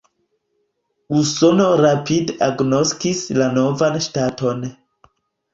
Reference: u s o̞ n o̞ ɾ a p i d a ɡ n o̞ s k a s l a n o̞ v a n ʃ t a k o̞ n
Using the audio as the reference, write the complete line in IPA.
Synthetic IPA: u s o̞ n o̞ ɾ a p i d a ɡ n o̞ s k i s l a n o̞ v a n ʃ t a t o̞ n